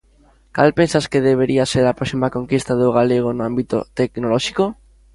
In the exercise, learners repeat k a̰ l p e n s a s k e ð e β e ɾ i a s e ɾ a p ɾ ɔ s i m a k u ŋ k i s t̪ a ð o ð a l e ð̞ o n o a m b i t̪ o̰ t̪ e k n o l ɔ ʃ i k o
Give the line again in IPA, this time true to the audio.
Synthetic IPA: k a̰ l p e n s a s k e ð e β e ɾ i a s e ɾ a p ɾ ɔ s i m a k o ŋ k i s t̪ a ð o ɣ a l e ɣ̞ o n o a m b i t̪ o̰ t̪ e k n o l ɔ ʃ i k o